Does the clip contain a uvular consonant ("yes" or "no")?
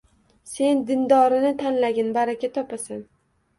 no